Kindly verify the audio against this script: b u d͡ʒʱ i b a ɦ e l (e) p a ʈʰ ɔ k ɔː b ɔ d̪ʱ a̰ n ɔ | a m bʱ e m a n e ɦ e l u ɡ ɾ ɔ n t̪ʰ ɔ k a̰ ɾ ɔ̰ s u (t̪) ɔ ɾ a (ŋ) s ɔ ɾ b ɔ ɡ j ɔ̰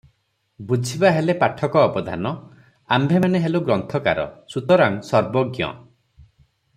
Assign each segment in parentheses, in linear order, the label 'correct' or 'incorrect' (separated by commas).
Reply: correct, correct, correct